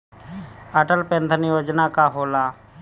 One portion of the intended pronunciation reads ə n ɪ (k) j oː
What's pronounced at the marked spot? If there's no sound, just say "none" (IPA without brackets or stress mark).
none